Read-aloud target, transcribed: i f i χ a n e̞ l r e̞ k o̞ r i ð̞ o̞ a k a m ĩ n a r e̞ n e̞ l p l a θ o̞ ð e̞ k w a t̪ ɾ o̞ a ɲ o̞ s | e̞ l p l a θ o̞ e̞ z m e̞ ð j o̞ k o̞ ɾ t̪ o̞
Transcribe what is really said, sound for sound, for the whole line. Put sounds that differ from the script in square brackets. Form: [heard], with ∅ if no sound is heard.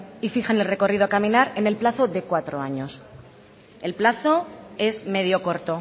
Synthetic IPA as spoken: i f i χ a n e̞ l r e̞ k o̞ r i ð̞ o̞ a k a m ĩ n a [ɾ] e̞ n e̞ l p l a θ o̞ ð e̞ k w a t̪ ɾ o̞ a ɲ o̞ s | e̞ l p l a θ o̞ e̞ z m e̞ ð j o̞ k o̞ ɾ t̪ o̞